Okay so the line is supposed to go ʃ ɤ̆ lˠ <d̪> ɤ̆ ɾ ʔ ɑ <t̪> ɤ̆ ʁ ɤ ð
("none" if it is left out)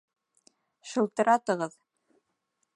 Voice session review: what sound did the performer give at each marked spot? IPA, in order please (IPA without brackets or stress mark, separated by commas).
t̪, t̪